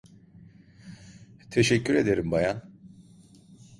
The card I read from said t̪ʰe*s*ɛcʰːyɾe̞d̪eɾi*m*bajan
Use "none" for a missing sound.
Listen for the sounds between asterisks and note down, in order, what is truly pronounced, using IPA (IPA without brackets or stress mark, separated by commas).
ʃ, m